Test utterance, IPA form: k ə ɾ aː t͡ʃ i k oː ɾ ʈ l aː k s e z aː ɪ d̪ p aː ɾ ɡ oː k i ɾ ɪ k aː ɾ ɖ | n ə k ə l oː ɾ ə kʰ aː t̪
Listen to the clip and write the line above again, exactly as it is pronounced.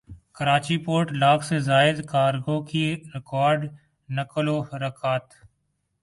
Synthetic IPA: k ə ɾ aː t͡ʃ i p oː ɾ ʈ l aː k s e z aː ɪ d̪ k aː ɾ ɡ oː k i ɾ ɪ k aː ɾ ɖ | n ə k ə l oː ɾ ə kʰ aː t̪